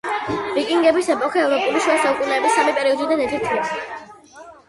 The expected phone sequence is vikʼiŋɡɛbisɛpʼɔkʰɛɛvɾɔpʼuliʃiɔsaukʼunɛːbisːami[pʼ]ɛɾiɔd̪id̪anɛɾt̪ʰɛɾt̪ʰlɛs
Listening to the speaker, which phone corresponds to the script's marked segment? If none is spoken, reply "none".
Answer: pʼ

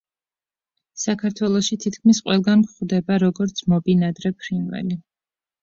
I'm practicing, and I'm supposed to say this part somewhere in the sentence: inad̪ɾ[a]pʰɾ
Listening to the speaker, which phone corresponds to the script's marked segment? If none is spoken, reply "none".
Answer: ɛ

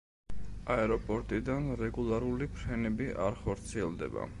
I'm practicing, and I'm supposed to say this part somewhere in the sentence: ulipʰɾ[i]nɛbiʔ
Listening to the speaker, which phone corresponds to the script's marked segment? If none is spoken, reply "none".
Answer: ɛ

